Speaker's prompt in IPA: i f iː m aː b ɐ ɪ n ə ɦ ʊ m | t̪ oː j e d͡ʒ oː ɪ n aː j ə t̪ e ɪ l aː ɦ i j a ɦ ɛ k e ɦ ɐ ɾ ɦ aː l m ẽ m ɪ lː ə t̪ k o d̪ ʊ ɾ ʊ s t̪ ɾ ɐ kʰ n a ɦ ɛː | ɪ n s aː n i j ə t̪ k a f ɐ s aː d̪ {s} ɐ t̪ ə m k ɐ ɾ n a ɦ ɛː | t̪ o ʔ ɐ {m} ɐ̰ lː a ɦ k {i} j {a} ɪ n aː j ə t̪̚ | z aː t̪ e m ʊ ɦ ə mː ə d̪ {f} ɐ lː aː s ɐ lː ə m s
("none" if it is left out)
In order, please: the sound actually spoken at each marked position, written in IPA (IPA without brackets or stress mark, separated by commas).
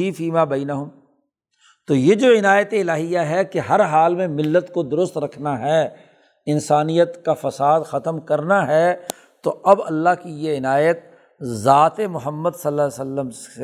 x, b, i, e, s